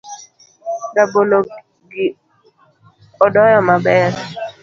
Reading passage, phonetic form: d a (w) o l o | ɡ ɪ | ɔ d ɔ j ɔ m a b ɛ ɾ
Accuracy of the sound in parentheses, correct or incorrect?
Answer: incorrect: b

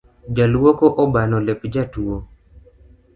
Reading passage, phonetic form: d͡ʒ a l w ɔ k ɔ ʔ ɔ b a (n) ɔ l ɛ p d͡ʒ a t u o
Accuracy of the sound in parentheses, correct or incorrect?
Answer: correct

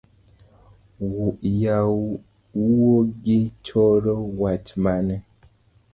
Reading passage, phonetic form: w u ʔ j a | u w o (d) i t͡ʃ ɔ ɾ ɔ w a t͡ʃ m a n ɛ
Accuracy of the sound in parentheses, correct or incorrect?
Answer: incorrect: ɡ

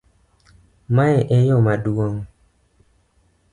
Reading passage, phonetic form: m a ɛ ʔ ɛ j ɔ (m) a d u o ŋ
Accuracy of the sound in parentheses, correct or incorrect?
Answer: correct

